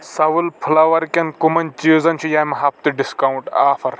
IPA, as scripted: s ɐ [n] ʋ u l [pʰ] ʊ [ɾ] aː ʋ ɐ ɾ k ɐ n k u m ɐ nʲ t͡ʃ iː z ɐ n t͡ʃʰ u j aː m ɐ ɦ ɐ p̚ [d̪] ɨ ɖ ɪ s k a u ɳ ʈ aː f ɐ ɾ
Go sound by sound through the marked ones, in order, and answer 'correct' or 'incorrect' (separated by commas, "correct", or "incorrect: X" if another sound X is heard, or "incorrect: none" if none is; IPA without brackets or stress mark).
incorrect: none, correct, incorrect: l, incorrect: t̪